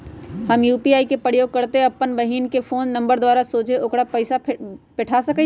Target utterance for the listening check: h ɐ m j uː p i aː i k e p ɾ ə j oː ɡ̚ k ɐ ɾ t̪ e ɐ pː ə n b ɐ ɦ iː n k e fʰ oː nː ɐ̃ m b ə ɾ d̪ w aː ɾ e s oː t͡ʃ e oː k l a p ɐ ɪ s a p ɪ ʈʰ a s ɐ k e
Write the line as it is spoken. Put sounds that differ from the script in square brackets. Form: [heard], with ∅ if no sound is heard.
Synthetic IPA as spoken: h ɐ m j uː p i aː i k e p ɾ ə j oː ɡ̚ k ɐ ɾ t̪ e ɐ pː ə n b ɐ ɦ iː n k e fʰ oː nː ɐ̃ m b ə ɾ d̪ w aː ɾ [a] s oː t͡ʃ e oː k [ɽ] a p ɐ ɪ s a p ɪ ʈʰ a s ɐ k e

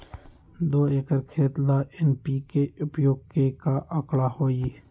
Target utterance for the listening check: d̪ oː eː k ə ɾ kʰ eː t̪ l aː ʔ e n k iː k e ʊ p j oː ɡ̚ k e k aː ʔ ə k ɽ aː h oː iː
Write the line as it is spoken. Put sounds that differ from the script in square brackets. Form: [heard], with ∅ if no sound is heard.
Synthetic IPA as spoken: d̪ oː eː k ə ɾ kʰ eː t̪ l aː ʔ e n [p] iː k e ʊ p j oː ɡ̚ k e k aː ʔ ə k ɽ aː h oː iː

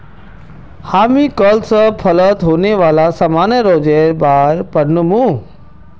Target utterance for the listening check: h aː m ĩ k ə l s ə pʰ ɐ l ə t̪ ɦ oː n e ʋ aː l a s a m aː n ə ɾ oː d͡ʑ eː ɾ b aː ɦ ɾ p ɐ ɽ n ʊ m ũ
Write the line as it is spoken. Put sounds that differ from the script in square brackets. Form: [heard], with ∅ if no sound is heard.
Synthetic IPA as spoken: h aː m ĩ k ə l s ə pʰ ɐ l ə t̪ ɦ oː n e ʋ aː l a s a m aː n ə ɾ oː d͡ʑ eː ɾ b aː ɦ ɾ p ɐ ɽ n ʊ m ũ

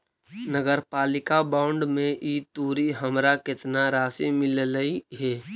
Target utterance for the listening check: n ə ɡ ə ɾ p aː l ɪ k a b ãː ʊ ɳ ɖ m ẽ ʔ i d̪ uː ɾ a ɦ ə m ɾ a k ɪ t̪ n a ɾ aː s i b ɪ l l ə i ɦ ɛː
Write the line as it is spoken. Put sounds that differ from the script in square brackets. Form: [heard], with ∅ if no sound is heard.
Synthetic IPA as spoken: n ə ɡ ə ɾ p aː l ɪ k a b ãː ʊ ɳ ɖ m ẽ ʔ i [t̪] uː ɾ [i] ɦ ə m ɾ a k ɪ t̪ n a ɾ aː s i [m] ɪ l l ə i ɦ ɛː

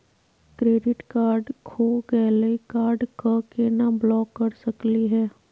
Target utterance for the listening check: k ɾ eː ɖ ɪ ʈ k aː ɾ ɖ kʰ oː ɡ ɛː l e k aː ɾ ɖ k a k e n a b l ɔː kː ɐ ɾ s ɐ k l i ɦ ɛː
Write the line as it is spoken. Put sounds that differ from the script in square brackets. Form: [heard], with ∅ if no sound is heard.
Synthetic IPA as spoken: k ɾ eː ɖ ɪ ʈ k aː ɾ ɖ kʰ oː ɡ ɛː l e k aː ɾ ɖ k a k e n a b l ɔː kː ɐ ɾ s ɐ k l i ɦ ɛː

